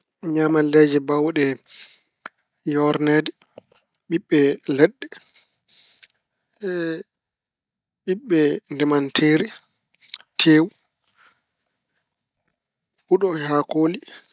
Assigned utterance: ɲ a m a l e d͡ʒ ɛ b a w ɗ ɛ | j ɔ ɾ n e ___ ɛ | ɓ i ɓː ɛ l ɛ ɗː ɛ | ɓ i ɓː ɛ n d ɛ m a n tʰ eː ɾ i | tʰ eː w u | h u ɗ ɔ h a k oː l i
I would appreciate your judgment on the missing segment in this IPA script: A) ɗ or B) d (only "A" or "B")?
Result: B